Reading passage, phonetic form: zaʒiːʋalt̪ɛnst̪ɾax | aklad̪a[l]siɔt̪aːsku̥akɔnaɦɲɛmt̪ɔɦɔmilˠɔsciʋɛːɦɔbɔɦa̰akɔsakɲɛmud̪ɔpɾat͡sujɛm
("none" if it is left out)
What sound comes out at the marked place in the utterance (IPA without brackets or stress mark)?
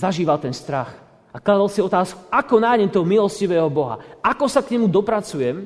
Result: l